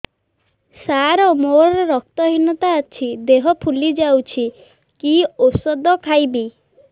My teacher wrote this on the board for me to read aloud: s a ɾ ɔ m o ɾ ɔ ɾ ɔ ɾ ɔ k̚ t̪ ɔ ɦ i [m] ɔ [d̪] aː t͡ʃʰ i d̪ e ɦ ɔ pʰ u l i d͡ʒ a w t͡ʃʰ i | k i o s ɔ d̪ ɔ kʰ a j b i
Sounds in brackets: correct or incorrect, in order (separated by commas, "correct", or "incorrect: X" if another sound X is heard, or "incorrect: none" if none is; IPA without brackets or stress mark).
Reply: incorrect: n, incorrect: t̪